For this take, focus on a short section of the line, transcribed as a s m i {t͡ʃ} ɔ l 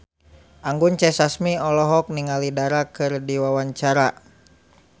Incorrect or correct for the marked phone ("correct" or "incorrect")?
incorrect